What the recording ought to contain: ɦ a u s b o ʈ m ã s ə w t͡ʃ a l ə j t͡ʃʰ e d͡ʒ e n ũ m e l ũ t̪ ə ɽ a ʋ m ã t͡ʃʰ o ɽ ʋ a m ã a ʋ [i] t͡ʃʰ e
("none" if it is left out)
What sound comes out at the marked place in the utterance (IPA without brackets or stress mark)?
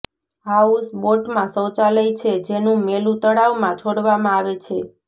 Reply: e